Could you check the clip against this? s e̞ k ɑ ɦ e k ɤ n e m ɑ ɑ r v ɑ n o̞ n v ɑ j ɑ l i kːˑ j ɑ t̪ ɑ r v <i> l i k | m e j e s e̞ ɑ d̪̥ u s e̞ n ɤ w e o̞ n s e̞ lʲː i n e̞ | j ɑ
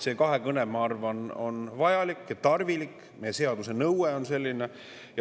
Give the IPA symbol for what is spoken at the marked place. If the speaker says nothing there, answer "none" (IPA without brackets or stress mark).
i